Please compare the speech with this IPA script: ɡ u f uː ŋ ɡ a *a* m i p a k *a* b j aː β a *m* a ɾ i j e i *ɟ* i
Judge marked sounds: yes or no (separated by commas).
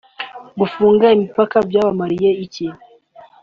no, yes, yes, no